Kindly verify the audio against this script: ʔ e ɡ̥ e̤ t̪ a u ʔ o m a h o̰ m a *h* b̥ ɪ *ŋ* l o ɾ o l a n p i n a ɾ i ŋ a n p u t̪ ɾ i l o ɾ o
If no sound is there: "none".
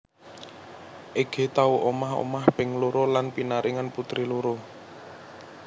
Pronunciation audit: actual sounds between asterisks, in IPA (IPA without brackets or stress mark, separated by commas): h, ŋ